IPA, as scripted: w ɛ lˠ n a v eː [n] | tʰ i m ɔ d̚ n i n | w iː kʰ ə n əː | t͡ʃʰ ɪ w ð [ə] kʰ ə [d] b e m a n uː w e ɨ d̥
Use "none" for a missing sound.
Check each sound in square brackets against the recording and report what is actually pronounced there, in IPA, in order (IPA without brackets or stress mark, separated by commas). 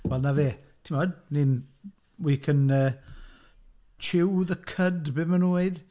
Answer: none, ə, d